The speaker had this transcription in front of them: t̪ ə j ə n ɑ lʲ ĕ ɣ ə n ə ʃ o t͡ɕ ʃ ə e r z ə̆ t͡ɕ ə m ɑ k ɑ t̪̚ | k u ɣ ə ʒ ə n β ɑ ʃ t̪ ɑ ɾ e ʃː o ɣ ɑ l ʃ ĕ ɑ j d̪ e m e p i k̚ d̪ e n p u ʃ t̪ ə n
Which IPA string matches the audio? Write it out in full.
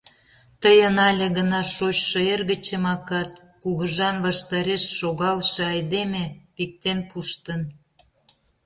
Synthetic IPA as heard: t̪ ə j ə n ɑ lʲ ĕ ɣ ə n ɑ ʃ o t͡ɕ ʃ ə e r ɣ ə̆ t͡ɕ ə m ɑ k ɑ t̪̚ | k u ɣ ə ʒ ɑ n β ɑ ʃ t̪ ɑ ɾ e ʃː o ɣ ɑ l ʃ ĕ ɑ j d̪ e m e p i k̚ t̪ e n p u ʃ t̪ ə n